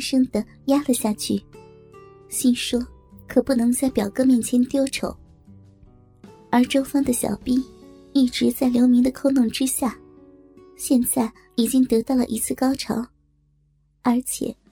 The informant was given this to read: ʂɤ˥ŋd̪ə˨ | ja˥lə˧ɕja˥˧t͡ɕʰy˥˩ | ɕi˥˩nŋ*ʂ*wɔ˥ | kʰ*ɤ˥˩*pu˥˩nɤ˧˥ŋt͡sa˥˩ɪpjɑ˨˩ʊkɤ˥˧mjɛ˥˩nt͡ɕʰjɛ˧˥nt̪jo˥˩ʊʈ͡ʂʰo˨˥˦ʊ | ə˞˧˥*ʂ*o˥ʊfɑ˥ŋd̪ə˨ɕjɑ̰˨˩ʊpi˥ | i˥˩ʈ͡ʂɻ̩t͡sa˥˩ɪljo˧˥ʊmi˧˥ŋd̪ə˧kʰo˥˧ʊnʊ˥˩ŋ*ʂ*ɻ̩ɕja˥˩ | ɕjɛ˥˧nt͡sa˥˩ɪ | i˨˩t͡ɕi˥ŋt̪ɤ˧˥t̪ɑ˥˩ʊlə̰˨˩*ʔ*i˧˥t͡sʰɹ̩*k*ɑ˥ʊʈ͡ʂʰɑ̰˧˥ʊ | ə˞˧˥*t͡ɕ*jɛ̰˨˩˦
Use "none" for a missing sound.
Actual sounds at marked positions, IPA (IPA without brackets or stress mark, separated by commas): ʂ, ɤ˨˩, ʈ͡ʂ, ʈ͡ʂ, ʔ, k, t͡ɕʰ